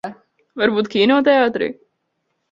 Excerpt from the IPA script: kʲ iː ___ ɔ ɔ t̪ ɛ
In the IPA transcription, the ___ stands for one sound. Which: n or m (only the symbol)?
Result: n